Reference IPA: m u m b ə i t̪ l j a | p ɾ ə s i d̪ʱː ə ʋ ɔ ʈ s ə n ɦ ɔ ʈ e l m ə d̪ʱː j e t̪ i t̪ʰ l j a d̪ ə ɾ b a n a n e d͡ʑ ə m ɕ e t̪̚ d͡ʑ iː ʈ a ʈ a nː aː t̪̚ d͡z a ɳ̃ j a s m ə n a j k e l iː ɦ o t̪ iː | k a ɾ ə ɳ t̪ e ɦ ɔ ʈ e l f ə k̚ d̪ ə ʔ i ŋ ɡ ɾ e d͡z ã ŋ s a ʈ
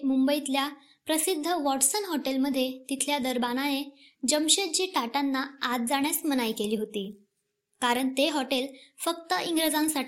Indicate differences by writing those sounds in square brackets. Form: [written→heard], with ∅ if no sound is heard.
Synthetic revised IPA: m u m b ə i t̪ l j a | p ɾ ə s i d̪ʱː ə ʋ ɔ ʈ s ə n ɦ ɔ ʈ e l m ə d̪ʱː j e t̪ i t̪ʰ l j a d̪ ə ɾ b a n a n e d͡ʑ ə m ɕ e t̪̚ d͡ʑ iː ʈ a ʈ a nː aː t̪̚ d͡z a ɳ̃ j a s m ə n a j k e l iː ɦ o t̪ iː | k a ɾ ə ɳ t̪ e ɦ ɔ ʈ e l f ə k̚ [d̪→t̪] ə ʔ i ŋ ɡ ɾ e d͡z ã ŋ s a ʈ